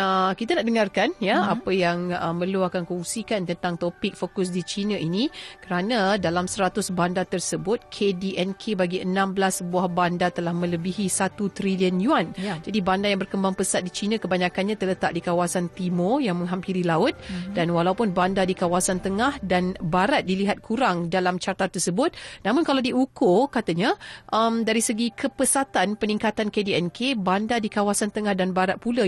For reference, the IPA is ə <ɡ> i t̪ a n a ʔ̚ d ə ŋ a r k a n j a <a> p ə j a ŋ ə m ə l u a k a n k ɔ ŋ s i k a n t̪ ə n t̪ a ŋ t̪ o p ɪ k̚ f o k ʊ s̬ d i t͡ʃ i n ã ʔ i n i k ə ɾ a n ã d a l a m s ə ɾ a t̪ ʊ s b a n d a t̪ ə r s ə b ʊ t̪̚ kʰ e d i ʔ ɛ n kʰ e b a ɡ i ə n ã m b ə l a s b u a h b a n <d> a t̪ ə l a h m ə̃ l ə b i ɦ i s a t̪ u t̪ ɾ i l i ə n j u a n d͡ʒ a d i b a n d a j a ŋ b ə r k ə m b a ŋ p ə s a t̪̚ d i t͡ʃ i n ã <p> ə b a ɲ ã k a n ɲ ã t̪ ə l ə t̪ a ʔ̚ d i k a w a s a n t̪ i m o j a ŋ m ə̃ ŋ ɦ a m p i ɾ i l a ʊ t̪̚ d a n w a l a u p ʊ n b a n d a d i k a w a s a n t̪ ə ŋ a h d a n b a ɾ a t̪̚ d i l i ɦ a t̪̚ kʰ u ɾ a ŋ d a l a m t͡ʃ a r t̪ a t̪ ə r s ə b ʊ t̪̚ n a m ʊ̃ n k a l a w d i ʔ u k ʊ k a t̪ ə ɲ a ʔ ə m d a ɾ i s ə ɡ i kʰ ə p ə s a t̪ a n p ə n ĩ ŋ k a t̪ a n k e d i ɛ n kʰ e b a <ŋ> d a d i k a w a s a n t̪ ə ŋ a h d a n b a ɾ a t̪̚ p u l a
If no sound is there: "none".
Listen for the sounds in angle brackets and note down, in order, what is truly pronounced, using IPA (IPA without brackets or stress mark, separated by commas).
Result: k, a, d, k, n